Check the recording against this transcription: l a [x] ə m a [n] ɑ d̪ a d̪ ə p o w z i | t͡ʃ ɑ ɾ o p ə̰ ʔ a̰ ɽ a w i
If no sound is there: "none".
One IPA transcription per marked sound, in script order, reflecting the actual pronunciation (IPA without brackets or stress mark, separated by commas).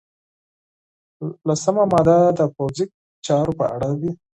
s, m